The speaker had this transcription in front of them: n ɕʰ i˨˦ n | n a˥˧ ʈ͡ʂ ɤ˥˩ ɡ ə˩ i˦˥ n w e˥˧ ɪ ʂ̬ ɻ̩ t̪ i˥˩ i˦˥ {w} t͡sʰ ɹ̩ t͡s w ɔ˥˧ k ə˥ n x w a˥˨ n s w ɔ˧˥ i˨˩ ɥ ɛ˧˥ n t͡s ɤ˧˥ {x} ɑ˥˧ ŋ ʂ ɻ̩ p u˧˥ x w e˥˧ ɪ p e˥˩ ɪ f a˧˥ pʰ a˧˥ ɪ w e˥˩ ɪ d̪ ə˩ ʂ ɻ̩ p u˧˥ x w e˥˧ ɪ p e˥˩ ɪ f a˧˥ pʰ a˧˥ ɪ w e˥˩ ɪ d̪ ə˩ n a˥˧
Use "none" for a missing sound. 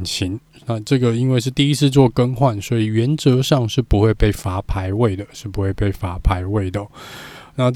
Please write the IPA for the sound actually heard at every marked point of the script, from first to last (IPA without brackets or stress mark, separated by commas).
none, ʂ